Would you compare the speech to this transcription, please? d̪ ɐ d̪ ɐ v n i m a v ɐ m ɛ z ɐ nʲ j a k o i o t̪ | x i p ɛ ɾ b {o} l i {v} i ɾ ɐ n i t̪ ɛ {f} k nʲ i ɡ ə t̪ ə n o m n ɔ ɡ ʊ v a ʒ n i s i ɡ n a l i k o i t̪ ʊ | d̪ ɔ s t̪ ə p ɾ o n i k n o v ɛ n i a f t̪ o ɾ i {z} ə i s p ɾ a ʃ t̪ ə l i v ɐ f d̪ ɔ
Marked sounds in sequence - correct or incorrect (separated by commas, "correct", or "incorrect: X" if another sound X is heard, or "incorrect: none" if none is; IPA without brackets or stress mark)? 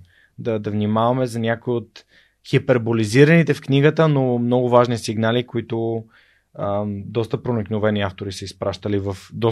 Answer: correct, incorrect: z, correct, incorrect: s